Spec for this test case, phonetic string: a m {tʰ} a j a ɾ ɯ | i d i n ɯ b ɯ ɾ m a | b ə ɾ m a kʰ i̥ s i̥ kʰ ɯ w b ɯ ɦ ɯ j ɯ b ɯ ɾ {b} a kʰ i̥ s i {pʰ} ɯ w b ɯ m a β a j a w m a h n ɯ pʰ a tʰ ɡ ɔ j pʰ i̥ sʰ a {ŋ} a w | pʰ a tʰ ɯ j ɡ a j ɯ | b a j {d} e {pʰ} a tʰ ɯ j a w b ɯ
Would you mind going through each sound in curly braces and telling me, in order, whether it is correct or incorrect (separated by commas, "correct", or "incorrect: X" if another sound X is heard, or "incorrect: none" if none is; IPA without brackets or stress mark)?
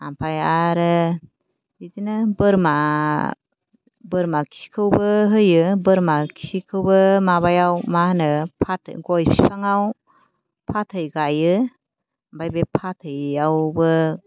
incorrect: pʰ, incorrect: m, incorrect: kʰ, correct, incorrect: b, correct